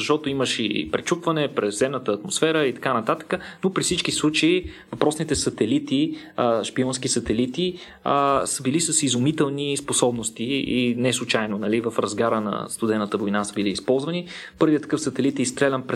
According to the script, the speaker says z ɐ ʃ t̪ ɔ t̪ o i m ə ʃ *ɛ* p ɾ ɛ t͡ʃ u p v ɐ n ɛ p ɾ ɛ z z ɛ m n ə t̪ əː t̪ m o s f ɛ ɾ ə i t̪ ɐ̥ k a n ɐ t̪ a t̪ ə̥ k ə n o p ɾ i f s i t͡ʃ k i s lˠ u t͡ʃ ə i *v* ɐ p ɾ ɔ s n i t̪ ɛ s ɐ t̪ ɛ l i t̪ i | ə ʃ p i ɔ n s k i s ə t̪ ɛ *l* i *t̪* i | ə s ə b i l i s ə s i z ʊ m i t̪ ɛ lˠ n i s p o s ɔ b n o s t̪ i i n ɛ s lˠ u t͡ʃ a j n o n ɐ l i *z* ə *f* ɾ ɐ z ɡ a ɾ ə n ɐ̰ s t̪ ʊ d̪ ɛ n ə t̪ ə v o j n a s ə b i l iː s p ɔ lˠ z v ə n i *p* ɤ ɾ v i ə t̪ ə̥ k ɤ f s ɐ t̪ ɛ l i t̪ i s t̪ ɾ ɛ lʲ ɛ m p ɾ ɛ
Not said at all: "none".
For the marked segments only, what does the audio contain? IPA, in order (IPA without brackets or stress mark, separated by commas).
i, v, l, t̪, v, f, p